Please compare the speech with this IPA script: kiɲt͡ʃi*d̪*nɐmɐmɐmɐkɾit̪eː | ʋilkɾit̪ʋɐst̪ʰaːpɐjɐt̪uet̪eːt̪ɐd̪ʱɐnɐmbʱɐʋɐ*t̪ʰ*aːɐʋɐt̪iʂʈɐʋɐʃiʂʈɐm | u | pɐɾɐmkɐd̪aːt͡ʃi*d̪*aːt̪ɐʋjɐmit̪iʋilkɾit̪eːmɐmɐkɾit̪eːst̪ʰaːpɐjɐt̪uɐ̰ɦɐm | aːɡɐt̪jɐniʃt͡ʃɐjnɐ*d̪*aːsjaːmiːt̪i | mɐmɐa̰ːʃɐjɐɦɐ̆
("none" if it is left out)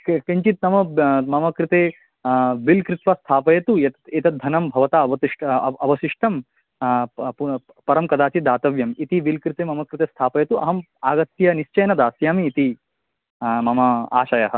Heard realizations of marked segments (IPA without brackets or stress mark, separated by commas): t̪, t̪, d̪, d̪